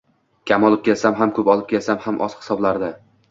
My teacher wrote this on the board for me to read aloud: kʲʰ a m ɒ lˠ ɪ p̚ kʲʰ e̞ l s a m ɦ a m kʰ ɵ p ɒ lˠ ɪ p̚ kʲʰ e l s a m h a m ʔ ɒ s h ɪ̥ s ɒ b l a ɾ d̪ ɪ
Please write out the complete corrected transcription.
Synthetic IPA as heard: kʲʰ a m ɒ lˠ ɪ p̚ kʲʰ e̞ l s a m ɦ a m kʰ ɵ p ɒ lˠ ɪ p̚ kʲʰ e l s a m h a m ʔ ɒ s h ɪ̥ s ɒ b l a ɾ d̪ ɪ